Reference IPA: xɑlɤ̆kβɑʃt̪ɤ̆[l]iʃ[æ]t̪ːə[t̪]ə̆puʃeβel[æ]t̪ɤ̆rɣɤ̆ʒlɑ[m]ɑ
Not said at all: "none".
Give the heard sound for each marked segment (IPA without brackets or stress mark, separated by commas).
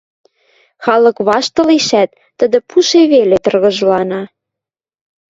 l, æ, d̪, e, n